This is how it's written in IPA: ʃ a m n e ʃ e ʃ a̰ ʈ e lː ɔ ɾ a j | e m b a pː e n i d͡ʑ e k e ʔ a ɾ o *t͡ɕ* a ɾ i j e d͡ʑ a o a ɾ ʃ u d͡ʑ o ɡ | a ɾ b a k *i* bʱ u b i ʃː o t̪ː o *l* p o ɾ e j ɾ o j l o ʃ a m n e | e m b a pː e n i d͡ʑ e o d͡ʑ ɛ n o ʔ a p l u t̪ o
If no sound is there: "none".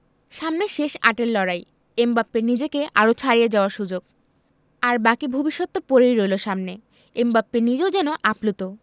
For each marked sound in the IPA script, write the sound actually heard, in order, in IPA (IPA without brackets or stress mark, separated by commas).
t͡ɕʰ, i, none